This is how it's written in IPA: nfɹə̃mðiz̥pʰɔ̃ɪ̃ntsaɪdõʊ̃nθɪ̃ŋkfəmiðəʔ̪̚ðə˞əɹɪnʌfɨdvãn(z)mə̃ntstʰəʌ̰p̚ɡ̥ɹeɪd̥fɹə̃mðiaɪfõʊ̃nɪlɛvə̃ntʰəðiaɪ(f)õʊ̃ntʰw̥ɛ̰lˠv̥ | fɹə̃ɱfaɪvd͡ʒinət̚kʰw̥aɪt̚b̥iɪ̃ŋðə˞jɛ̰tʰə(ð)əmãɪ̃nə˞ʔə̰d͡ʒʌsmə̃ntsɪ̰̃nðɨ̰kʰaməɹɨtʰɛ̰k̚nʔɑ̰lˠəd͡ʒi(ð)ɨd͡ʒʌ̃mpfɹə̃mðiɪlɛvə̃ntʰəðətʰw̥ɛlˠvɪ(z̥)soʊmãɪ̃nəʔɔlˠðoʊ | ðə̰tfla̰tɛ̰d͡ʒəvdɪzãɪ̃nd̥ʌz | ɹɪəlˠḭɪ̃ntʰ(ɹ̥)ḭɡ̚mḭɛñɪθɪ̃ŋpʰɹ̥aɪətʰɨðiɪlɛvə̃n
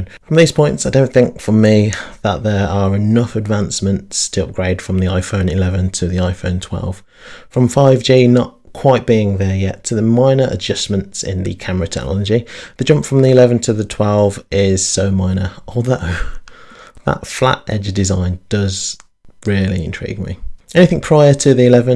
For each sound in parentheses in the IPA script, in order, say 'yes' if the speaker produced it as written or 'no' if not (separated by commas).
no, yes, yes, yes, yes, yes